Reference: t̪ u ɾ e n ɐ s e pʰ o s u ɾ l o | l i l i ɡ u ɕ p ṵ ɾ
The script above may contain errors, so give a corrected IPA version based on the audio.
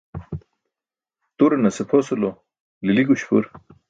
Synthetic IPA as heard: t̪ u ɾ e n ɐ s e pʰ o s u l o | l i l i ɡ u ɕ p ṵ ɾ